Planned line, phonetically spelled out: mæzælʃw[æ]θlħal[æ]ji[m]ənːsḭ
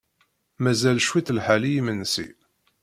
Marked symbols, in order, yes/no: no, no, yes

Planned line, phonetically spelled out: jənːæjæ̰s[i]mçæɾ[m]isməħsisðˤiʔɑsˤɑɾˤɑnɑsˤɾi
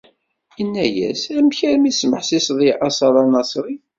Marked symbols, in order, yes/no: no, yes

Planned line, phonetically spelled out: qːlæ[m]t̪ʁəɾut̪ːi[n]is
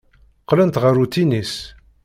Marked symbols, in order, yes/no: no, yes

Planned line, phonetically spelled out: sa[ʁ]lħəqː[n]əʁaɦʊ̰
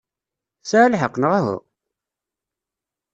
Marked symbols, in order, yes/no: no, yes

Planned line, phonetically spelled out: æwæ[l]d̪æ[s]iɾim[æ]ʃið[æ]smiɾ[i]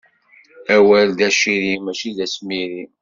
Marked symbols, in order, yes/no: yes, no, yes, yes, yes

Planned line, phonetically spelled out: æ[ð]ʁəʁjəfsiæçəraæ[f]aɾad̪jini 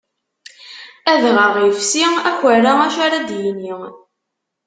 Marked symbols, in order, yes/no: yes, no

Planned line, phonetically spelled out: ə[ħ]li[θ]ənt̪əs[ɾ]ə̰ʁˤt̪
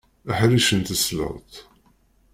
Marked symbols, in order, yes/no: yes, no, no

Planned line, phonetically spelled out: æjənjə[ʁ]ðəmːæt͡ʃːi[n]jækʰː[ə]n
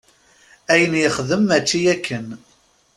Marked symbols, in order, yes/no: no, no, yes

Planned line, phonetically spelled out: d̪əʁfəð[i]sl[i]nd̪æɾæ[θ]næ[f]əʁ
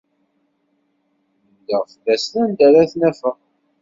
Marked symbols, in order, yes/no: no, no, yes, yes

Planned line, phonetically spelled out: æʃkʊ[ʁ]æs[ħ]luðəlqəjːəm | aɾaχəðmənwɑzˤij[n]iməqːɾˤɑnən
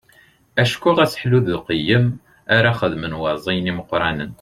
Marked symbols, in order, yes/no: yes, yes, yes

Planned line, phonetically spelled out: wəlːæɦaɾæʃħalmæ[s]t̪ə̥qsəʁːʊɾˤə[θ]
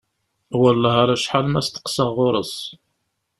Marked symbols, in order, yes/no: yes, no

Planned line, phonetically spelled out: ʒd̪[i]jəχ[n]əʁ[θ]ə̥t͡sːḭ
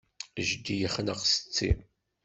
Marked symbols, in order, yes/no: yes, yes, no

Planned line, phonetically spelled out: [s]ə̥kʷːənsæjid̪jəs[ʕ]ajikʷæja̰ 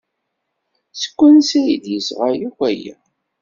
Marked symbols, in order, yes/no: yes, no

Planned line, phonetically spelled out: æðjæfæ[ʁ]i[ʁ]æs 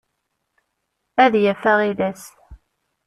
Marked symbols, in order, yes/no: yes, no

